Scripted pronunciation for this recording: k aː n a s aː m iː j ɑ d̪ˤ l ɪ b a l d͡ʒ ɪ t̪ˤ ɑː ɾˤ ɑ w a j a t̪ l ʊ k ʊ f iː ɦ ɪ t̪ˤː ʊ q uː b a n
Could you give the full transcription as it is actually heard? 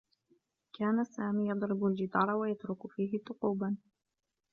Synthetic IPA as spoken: k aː n a s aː m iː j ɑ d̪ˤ ɾ ɪ b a l d͡ʒ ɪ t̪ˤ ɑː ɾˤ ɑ w a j a t̪ ɾ ʊ k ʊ f iː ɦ ɪ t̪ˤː ʊ q uː b a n